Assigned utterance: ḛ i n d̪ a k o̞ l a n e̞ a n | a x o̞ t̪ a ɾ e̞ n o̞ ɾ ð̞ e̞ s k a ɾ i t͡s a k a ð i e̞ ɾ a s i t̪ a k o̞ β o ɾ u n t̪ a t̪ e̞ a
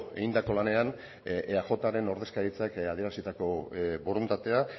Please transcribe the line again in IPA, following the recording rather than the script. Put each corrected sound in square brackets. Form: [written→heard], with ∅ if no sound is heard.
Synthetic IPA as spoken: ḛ i n d̪ a k o̞ l a n e̞ a n | a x o̞ t̪ a ɾ e̞ n o̞ ɾ ð̞ e̞ s k a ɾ i t͡s a k a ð i e̞ ɾ a s i t̪ a k o̞ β o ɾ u n t̪ a t̪ e̞ a